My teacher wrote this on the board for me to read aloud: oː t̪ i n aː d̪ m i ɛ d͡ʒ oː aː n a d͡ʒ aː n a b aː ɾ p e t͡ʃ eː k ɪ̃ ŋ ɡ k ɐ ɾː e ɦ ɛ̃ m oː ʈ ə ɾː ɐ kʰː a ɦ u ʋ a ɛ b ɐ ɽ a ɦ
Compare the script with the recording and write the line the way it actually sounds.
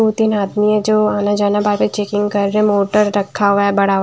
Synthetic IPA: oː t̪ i n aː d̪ m i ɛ d͡ʒ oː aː n a d͡ʒ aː n a b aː ɾ p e t͡ʃ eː k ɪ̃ ŋ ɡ k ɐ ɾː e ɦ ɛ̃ m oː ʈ ə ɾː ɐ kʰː a ɦ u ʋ a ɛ b ɐ ɽ a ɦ